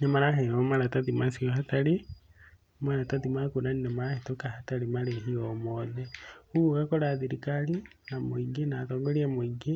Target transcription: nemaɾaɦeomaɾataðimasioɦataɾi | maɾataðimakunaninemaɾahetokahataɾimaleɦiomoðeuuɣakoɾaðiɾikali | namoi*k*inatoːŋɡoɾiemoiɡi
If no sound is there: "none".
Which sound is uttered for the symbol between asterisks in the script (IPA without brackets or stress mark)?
ɡ